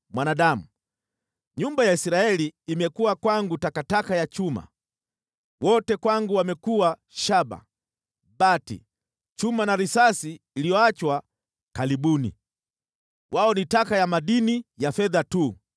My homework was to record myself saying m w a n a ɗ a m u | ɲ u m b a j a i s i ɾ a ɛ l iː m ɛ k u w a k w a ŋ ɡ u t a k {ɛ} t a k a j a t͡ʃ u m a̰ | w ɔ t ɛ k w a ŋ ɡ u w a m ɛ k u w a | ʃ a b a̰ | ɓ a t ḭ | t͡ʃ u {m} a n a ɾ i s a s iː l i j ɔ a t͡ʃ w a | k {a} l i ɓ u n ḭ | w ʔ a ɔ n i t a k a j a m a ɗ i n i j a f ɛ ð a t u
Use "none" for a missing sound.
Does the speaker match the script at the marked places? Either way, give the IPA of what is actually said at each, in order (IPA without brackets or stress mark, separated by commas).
a, m, a